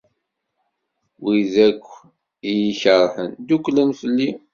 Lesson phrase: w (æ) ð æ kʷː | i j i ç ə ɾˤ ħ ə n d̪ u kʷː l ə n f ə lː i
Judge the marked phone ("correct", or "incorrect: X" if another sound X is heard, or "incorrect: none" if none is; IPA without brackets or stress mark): incorrect: i